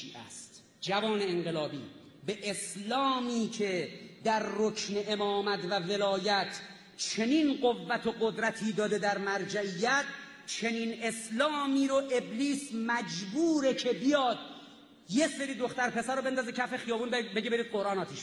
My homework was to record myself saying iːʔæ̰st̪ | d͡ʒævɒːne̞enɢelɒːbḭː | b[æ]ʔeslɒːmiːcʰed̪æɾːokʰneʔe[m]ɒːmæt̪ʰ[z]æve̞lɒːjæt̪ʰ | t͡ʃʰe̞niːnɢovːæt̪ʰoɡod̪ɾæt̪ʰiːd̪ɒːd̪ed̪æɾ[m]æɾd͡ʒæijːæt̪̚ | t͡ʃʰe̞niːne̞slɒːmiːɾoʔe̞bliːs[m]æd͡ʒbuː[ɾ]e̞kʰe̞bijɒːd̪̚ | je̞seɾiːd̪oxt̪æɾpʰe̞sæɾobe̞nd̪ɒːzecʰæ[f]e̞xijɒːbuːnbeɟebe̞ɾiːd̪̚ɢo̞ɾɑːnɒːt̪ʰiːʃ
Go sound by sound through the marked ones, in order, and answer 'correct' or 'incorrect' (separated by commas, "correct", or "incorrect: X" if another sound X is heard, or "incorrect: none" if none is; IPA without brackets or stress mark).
incorrect: e, correct, incorrect: v, correct, correct, correct, correct